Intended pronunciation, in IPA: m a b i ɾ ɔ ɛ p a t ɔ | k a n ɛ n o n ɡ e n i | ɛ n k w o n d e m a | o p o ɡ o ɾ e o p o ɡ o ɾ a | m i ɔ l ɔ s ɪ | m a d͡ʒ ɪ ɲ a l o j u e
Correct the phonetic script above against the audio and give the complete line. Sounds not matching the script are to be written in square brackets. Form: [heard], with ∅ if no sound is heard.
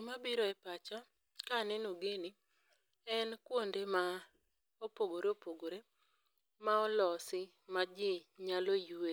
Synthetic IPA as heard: m a b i ɾ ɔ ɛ p a [t͡ʃ] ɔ | k a n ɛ n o [∅] ɡ e n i | ɛ n k w o n d e m a | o p o ɡ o ɾ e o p o ɡ o ɾ [e] | m [a] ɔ l ɔ s ɪ | m a d͡ʒ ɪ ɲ a l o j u e